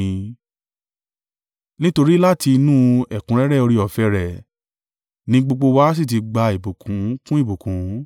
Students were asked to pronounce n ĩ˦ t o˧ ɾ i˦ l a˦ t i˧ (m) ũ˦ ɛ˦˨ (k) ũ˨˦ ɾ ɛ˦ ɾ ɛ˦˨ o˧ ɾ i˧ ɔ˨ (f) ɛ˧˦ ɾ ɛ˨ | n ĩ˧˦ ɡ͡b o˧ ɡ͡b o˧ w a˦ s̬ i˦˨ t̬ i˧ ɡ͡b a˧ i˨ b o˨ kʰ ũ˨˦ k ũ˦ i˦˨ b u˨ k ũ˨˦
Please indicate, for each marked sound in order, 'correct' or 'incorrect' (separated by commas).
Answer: incorrect, correct, correct